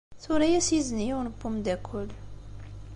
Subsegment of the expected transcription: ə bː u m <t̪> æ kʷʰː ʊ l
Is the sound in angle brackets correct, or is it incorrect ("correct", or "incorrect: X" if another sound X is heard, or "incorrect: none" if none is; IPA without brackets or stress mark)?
incorrect: d̪